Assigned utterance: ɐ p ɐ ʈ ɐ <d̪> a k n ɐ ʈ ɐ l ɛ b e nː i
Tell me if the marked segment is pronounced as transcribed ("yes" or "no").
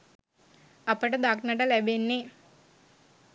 yes